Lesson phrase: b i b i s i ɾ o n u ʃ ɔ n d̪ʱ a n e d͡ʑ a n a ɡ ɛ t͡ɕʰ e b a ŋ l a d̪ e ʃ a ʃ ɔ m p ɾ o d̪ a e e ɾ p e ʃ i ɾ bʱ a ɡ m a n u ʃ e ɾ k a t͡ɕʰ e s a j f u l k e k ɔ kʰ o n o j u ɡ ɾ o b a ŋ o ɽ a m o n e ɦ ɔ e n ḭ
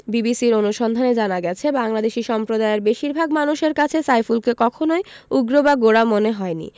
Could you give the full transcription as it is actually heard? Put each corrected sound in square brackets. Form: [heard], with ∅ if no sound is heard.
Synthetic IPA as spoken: b i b i s i ɾ o n u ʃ ɔ n d̪ʱ a n e d͡ʑ a n a ɡ ɛ t͡ɕʰ e b a ŋ l a d̪ e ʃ [i] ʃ ɔ m p ɾ o d̪ a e e ɾ [b] e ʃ i ɾ bʱ a ɡ m a n u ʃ e ɾ k a t͡ɕʰ e s a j f u l k e k ɔ kʰ o n o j u ɡ ɾ o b a [ɡ] o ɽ a m o n e ɦ ɔ e n ḭ